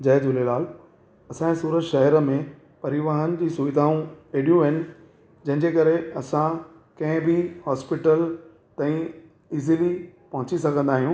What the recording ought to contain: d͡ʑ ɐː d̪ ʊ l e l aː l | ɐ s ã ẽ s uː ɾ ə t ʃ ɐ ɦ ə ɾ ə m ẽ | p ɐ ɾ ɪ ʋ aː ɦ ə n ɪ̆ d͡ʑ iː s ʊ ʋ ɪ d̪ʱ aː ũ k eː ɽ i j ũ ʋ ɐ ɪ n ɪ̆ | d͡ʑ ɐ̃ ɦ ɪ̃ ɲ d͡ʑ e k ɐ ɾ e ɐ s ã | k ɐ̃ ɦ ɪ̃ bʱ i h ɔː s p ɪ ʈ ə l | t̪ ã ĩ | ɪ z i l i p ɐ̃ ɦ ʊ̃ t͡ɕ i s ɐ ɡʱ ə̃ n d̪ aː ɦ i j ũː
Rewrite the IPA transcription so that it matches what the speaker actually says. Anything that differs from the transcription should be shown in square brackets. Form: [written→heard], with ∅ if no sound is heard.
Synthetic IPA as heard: d͡ʑ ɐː d̪ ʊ l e l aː l | ɐ s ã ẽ s uː ɾ ə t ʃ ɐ ɦ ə ɾ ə m ẽ | p ɐ ɾ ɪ ʋ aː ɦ ə n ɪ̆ d͡ʑ iː s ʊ ʋ ɪ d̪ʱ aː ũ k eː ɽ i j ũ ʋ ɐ ɪ n ɪ̆ | d͡ʑ ɐ̃ ɦ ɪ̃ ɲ d͡ʑ e k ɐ ɾ e ɐ s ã | k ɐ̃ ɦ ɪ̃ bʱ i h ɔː s p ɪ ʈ ə l | t̪ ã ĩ | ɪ z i l i p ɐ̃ ɦ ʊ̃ t͡ɕ i s ɐ ɡʱ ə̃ n d̪ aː ɦ i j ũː

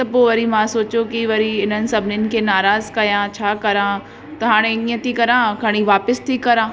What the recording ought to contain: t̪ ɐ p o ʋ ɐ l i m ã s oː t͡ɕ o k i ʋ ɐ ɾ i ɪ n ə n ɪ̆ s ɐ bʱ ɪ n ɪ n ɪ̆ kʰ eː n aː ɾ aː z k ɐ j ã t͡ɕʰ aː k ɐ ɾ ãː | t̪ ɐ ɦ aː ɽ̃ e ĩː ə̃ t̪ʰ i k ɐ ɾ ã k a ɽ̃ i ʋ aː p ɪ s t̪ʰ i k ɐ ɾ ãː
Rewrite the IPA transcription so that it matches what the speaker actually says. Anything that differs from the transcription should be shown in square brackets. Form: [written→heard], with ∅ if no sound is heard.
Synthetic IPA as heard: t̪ ɐ p o ʋ ɐ [l→ɾ] i m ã s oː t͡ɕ o k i ʋ ɐ ɾ i ɪ n ə n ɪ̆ s ɐ bʱ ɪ n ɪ n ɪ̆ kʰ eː n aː ɾ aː z k ɐ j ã t͡ɕʰ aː k ɐ ɾ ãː | t̪ ɐ ɦ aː ɽ̃ e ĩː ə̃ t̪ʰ i k ɐ ɾ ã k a ɽ̃ i ʋ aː p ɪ s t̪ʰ i k ɐ ɾ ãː

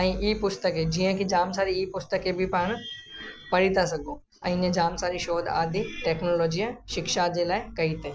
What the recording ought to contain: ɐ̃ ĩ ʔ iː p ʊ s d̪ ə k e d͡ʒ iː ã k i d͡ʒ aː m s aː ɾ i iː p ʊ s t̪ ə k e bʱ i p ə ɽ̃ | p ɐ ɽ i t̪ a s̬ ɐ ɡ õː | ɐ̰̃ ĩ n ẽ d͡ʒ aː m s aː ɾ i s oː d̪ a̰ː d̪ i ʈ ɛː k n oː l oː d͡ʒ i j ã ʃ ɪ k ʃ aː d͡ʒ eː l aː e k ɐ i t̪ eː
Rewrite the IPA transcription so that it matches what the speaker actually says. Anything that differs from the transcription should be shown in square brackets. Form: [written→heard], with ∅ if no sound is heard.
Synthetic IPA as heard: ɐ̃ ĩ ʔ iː p ʊ s [d̪→t̪] ə k e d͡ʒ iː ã k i d͡ʒ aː m s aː ɾ i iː p ʊ s t̪ ə k e bʱ i p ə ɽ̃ | p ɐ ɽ i t̪ a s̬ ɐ ɡ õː | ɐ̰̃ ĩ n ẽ d͡ʒ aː m s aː ɾ i [s→ʃ] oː d̪ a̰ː d̪ i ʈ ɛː k n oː l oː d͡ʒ i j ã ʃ ɪ k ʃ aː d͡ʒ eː l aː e k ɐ i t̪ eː

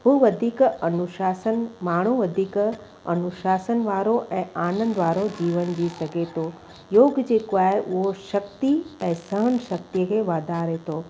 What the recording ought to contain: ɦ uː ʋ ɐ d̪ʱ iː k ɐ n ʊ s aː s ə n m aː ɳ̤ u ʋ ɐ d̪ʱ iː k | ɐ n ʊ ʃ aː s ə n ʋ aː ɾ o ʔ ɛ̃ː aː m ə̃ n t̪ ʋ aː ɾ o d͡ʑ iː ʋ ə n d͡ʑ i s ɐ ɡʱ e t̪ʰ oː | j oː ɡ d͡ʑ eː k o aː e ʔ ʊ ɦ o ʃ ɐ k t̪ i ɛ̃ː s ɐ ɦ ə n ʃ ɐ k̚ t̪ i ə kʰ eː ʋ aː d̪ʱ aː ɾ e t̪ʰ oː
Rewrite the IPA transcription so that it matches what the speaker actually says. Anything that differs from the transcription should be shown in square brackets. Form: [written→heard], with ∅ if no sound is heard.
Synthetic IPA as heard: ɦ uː ʋ ɐ d̪ʱ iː k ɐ n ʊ [s→ʃ] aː s ə n m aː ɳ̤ u ʋ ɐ d̪ʱ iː k | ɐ n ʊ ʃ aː s ə n ʋ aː ɾ o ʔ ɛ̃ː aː [m→n] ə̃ n [t̪→d̪] ʋ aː ɾ o d͡ʑ iː ʋ ə n d͡ʑ i s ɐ ɡʱ e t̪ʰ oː | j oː ɡ d͡ʑ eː k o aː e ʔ ʊ ɦ o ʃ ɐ k t̪ i ɛ̃ː s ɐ ɦ ə n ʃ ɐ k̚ t̪ i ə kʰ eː ʋ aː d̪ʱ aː ɾ e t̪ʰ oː

